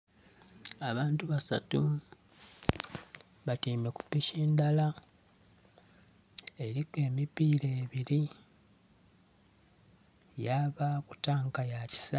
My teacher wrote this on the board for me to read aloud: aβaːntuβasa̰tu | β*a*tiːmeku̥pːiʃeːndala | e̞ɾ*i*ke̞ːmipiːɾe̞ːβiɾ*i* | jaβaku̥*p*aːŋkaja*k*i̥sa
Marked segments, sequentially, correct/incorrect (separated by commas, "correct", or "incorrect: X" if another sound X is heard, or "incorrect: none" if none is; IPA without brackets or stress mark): correct, correct, correct, incorrect: t, incorrect: c